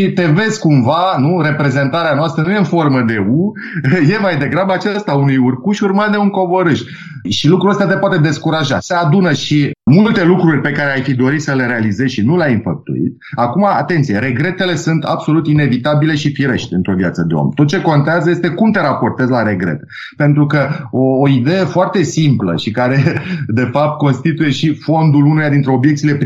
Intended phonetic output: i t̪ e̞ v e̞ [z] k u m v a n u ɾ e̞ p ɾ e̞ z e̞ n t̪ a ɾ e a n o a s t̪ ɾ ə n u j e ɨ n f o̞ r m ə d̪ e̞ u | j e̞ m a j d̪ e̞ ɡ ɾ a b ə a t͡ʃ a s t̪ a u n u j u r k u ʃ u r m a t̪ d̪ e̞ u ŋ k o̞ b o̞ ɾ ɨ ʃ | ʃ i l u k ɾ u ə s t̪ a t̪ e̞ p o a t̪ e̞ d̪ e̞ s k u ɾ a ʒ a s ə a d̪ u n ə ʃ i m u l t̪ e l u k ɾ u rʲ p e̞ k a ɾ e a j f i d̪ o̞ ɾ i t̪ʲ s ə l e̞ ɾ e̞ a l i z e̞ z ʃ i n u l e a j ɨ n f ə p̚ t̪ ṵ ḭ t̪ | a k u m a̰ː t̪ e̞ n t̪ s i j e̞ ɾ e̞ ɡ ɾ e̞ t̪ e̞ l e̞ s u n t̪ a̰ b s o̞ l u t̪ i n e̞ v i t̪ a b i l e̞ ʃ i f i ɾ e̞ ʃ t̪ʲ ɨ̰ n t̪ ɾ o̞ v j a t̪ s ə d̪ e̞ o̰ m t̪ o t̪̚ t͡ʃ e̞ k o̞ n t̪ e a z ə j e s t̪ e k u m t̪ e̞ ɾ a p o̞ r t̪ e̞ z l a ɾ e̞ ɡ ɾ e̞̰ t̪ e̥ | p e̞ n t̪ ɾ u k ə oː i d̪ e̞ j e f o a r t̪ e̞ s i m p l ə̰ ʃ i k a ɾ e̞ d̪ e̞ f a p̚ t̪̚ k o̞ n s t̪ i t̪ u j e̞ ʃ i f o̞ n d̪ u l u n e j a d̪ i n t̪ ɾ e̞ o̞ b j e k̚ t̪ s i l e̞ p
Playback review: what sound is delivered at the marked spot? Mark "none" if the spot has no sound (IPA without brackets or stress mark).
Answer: z